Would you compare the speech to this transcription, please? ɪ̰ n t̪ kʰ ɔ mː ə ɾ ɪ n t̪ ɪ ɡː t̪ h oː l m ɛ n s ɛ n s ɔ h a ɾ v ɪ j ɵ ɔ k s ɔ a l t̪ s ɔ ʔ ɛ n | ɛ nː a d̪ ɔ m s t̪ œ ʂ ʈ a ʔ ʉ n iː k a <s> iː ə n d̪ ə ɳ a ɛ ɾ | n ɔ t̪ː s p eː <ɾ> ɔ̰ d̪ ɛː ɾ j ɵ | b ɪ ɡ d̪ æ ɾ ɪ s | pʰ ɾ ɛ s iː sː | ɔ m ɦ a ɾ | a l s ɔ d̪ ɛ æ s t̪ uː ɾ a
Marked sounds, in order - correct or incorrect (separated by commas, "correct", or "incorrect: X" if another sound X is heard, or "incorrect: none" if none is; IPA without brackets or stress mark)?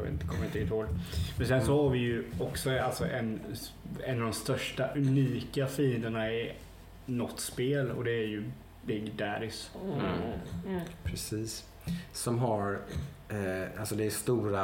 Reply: incorrect: f, incorrect: l